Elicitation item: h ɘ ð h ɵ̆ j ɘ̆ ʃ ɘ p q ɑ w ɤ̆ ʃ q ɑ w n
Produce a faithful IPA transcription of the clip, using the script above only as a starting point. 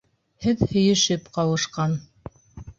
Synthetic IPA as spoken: h ɘ ð h ɵ̆ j ɘ̆ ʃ ɘ p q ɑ w ɤ̆ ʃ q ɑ n